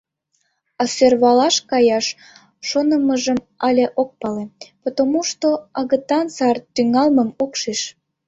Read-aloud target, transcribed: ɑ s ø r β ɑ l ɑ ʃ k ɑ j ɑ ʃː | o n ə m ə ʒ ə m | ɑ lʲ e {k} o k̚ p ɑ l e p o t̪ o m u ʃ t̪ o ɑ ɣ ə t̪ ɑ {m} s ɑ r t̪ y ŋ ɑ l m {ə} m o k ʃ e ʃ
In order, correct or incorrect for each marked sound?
incorrect, incorrect, correct

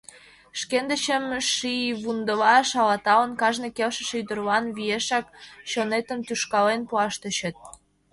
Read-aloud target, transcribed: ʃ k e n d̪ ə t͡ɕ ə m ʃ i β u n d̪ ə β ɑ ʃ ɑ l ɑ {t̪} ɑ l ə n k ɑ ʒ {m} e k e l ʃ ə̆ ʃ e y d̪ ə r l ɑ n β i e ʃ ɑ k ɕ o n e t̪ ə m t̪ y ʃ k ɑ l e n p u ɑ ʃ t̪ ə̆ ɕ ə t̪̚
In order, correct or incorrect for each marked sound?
correct, incorrect

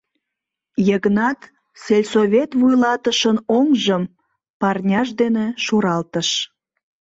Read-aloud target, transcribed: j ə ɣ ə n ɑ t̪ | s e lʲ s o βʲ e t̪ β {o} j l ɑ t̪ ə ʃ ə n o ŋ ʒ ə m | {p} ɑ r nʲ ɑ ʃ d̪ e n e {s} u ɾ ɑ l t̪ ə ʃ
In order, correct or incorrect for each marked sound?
incorrect, correct, incorrect

